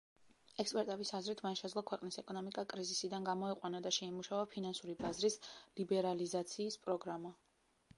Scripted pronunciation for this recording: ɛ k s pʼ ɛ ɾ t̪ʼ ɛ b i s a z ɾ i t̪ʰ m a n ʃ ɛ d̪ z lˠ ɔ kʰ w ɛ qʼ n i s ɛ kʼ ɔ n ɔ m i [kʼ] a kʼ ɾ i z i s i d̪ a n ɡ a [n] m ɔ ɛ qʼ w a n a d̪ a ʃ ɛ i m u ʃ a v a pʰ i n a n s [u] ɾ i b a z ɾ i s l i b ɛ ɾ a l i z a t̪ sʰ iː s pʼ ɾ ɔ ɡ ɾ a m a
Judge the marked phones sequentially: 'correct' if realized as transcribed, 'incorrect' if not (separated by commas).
correct, incorrect, correct